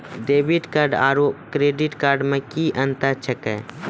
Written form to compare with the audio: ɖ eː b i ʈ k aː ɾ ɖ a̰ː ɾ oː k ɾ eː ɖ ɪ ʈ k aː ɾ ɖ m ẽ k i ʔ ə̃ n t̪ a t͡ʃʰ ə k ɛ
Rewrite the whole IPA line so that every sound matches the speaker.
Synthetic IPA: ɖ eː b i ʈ k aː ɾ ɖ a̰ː ɾ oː k ɾ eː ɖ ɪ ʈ k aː ɾ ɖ m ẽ k i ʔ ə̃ n t̪ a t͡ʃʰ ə k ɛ